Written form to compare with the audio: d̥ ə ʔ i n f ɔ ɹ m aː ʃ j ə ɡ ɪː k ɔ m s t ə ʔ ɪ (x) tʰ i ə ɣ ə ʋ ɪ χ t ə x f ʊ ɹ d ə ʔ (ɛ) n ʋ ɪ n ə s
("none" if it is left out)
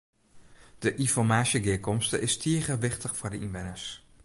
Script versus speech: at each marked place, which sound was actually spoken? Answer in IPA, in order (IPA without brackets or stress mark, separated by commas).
s, i